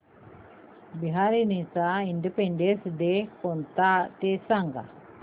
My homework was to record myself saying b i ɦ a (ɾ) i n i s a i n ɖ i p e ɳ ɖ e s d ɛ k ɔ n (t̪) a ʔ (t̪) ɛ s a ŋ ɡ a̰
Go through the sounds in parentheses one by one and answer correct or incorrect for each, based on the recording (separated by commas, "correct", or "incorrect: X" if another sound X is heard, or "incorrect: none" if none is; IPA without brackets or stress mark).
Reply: correct, correct, correct